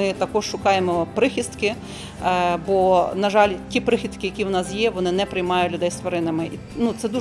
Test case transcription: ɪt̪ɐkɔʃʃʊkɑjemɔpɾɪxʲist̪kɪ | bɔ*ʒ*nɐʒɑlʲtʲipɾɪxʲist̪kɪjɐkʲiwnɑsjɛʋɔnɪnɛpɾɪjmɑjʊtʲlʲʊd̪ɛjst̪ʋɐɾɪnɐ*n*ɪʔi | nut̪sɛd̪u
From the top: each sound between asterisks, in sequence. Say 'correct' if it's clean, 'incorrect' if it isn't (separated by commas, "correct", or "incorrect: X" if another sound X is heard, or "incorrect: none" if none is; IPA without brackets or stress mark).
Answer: incorrect: none, incorrect: m